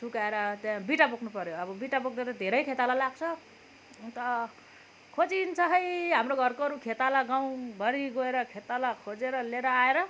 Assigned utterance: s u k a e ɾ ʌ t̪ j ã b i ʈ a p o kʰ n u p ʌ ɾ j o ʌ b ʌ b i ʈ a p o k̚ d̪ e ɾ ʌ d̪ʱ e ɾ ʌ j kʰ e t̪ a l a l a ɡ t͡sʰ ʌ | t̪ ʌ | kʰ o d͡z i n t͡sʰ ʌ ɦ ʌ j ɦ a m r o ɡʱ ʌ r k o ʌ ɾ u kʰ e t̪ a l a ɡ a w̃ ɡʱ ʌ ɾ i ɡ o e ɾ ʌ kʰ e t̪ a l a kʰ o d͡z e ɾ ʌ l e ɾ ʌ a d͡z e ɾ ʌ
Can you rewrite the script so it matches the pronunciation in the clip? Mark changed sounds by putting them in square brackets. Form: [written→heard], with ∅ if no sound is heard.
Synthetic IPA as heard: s u k a e ɾ ʌ t̪ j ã b i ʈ a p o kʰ n u p ʌ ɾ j o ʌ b ʌ b i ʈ a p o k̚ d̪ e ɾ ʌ d̪ʱ e ɾ ʌ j kʰ e t̪ a l a l a ɡ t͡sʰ ʌ | t̪ ʌ | kʰ o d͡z i n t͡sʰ ʌ ɦ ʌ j ɦ a m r o ɡʱ ʌ r k o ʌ ɾ u kʰ e t̪ a l a ɡ a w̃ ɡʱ ʌ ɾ i ɡ o e ɾ ʌ kʰ e t̪ a l a kʰ o d͡z e ɾ ʌ l e ɾ ʌ a [d͡z→∅] e ɾ ʌ